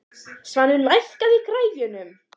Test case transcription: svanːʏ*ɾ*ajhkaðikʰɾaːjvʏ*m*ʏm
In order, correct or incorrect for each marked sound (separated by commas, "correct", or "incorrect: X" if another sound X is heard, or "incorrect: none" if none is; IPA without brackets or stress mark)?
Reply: incorrect: l, incorrect: n